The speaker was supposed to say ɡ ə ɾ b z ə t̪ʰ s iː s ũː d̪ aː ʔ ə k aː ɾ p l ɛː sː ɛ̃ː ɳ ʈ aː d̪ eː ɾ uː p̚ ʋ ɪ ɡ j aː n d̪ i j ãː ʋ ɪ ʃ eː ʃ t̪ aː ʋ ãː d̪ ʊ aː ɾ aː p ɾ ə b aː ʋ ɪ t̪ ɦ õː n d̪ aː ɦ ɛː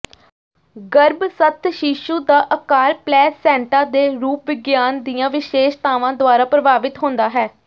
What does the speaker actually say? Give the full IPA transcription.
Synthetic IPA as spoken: ɡ ə ɾ b s ə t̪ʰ ʃ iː ʃ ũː d̪ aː ʔ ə k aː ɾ p l ɛː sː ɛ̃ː ɳ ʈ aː d̪ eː ɾ uː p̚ ʋ ɪ ɡ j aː n d̪ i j ãː ʋ ɪ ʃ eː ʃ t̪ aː ʋ ãː d̪ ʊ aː ɾ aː p ɾ ə b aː ʋ ɪ t̪ ɦ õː n d̪ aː ɦ ɛː